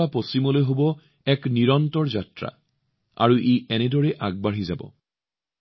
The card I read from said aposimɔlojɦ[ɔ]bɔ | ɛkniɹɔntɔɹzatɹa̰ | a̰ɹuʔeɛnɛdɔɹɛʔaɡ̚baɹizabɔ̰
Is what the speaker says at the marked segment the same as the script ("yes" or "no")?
no